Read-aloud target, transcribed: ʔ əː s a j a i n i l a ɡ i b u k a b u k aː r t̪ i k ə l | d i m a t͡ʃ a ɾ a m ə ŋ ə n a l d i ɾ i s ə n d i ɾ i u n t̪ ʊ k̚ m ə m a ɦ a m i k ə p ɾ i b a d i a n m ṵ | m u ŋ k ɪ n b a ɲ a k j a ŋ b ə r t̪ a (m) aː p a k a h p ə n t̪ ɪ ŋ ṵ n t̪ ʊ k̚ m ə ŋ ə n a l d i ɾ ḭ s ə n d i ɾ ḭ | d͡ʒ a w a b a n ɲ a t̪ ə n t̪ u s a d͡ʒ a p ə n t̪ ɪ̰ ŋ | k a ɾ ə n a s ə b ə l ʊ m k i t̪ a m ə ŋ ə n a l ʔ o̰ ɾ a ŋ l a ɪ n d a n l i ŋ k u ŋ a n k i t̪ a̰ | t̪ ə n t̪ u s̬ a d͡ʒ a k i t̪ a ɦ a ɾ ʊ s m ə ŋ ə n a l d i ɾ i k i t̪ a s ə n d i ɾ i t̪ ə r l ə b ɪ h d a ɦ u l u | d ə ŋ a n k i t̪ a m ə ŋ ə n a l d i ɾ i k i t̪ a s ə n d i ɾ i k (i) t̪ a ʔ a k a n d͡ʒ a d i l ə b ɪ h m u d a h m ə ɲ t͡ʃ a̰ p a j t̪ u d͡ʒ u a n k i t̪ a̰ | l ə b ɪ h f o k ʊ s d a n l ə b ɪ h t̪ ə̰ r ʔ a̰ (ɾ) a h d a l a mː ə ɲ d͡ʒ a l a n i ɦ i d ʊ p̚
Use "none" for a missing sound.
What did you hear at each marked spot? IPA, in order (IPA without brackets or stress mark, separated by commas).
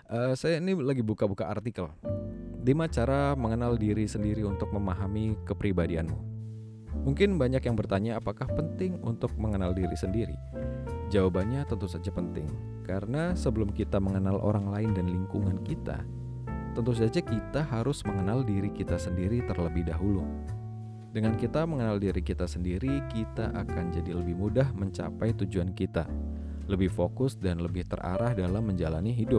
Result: ɲ, i, ɾ